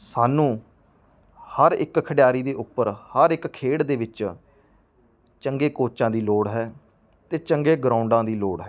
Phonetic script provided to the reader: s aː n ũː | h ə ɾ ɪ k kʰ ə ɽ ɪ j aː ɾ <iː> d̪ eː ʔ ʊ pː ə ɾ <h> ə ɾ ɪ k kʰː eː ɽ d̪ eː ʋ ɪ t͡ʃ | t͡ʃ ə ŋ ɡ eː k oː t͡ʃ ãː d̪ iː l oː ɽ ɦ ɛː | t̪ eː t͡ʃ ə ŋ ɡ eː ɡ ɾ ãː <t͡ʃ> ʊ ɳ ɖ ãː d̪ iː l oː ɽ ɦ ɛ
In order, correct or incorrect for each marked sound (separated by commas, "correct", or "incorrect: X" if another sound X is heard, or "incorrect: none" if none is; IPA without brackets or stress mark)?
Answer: correct, correct, incorrect: none